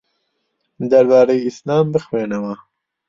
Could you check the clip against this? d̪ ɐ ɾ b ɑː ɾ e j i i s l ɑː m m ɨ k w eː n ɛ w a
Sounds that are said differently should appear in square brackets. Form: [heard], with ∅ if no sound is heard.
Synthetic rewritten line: d̪ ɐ ɾ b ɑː ɾ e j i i s l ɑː m [b] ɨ [x] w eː n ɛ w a